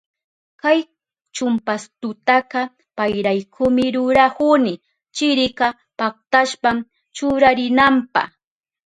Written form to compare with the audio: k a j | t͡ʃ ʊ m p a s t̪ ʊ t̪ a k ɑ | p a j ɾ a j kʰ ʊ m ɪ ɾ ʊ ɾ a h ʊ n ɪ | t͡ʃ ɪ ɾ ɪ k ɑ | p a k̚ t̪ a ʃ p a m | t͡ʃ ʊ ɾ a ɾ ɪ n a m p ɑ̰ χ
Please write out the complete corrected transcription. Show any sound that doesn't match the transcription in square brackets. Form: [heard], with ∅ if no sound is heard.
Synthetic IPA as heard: k a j | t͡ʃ ʊ m p a s t̪ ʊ t̪ a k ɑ | p a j ɾ a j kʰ ʊ m ɪ ɾ ʊ ɾ a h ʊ n ɪ | t͡ʃ ɪ ɾ ɪ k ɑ | p a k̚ t̪ a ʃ p a m | t͡ʃ ʊ ɾ a ɾ ɪ n a m p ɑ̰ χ